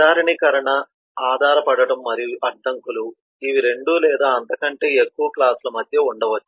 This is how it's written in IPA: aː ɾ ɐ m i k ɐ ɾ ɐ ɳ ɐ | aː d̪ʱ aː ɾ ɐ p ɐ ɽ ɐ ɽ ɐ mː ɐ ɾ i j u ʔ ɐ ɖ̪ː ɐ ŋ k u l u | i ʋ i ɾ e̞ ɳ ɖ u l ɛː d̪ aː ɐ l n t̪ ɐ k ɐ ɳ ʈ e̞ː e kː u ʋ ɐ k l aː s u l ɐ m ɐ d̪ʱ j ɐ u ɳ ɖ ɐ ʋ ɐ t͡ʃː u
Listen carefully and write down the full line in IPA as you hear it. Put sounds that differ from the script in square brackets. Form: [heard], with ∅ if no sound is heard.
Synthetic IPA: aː ɾ ɐ [ɳ] i k ɐ ɾ ɐ ɳ ɐ | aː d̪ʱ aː ɾ ɐ p ɐ ɽ ɐ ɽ ɐ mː ɐ ɾ i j u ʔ ɐ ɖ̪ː ɐ ŋ k u l u | i ʋ i ɾ e̞ ɳ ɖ u l ɛː d̪ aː ɐ [∅] n t̪ ɐ k ɐ ɳ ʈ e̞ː e kː u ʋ ɐ k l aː s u l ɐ m ɐ d̪ʱ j ɐ u ɳ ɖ ɐ ʋ ɐ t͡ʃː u